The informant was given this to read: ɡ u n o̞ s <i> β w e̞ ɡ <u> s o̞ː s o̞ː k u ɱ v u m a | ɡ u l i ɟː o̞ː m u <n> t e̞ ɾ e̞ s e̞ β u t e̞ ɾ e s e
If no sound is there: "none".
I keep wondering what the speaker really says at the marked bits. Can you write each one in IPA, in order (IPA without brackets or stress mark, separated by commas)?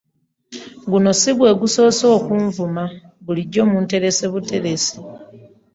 i, u, n